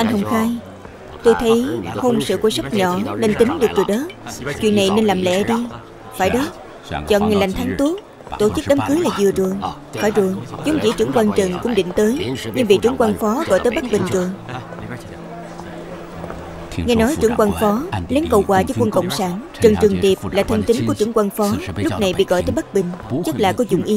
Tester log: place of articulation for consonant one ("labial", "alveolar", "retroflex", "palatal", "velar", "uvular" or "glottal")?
glottal